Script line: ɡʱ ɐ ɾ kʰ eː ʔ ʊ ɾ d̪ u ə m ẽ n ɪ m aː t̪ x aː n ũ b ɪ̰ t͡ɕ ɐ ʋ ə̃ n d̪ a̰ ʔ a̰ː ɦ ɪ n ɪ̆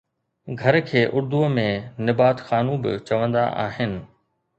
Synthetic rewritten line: ɡʱ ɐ ɾ kʰ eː ʔ ʊ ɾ d̪ u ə m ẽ n ɪ b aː t̪ x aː n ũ b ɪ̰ t͡ɕ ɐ ʋ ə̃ n d̪ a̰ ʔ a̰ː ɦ ɪ n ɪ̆